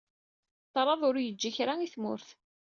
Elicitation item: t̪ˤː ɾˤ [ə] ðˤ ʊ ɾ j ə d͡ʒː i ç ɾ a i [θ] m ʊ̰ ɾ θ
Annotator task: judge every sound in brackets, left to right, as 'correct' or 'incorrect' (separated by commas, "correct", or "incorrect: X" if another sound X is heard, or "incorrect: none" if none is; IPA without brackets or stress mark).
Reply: incorrect: ɑ, correct